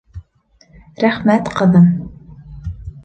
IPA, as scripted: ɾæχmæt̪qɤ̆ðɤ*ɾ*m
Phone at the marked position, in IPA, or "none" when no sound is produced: none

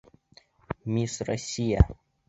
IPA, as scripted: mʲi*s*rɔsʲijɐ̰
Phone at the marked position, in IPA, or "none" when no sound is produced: s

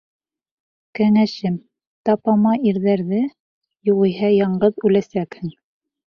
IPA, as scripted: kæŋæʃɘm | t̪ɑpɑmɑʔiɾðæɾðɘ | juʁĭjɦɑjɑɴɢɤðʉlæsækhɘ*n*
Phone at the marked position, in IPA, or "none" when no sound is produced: ŋ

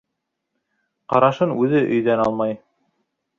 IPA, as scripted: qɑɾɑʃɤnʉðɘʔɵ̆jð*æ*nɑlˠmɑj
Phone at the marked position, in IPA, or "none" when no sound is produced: æ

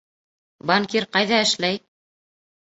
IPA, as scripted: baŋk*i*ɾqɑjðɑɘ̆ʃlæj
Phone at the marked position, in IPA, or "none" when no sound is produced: i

